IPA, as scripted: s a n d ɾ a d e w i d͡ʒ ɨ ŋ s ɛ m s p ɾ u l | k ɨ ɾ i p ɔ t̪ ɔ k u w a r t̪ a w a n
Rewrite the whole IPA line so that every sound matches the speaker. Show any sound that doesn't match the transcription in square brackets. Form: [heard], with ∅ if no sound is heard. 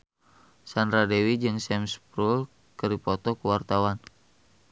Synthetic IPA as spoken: s a n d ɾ a d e w i d͡ʒ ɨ ŋ s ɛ m s p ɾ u l | k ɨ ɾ i p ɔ t̪ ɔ k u w a r t̪ a w a n